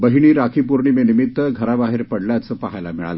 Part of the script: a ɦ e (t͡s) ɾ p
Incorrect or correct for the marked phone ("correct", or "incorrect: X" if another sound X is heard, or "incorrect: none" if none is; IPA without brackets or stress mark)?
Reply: incorrect: none